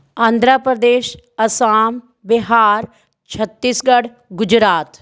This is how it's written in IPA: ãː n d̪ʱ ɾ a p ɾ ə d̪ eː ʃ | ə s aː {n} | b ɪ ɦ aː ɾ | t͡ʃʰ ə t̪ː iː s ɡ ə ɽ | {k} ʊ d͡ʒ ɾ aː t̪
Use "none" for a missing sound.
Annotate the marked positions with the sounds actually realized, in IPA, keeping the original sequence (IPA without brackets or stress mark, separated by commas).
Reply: m, ɡ